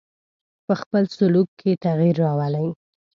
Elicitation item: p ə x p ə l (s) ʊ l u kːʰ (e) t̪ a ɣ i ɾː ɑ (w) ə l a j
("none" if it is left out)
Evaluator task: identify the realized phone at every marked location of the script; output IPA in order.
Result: s, e, w

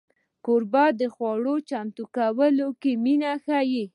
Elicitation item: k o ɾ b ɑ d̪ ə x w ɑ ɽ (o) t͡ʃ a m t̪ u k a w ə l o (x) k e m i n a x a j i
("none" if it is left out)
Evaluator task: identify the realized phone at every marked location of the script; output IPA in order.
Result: o, none

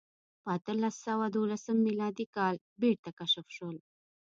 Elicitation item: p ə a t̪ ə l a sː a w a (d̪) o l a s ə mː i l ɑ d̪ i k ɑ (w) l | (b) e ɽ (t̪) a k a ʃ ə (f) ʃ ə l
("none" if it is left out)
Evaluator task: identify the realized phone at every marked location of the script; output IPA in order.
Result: d̪, none, b, t̪, f

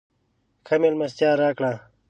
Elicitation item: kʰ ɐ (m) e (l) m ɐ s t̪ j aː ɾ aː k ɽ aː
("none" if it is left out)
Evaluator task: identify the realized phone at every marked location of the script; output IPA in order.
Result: m, l

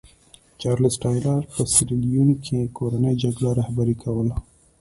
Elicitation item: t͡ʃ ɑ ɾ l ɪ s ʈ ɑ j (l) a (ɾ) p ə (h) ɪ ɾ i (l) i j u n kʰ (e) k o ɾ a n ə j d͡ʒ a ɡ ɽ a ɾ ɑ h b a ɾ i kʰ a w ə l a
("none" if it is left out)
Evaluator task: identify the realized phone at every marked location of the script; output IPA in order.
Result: l, ɾ, s, l, e

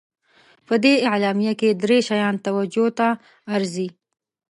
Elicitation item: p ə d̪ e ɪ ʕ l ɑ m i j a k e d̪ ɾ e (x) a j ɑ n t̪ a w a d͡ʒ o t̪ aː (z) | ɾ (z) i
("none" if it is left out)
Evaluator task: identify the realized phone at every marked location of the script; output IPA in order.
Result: ʃ, none, z

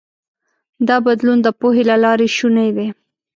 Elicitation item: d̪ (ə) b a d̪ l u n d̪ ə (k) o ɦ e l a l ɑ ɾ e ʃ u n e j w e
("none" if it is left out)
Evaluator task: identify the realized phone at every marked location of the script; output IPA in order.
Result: ɑ, p

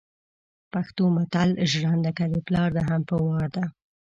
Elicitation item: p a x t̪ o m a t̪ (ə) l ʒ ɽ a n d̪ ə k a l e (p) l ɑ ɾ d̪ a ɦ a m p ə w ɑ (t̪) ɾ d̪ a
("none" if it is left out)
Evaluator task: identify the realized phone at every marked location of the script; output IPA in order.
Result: a, p, none

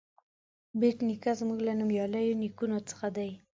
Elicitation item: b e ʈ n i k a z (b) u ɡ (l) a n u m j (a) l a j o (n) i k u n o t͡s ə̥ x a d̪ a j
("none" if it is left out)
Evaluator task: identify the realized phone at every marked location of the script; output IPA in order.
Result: m, l, ɑ, n

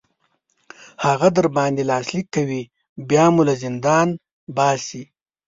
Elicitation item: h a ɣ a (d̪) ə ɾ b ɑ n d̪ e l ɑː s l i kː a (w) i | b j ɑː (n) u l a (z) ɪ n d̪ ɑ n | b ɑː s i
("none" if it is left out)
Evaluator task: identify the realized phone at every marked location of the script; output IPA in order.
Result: d̪, w, m, z

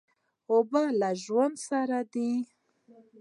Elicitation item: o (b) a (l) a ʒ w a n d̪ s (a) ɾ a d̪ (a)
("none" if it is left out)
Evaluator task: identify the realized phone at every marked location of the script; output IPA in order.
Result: b, l, a, i

